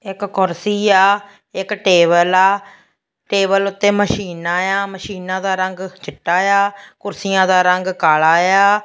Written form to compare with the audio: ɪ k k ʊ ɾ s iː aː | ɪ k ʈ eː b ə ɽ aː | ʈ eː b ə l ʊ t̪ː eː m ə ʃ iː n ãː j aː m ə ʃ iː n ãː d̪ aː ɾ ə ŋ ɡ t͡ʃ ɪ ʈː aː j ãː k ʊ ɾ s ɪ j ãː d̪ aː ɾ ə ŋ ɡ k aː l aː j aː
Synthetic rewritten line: ɪ k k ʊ ɾ s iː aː | ɪ k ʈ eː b ə l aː | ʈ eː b ə l ʊ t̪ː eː m ə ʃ iː n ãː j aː m ə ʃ iː n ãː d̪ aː ɾ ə ŋ ɡ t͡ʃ ɪ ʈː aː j aː k ʊ ɾ s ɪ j ãː d̪ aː ɾ ə ŋ ɡ k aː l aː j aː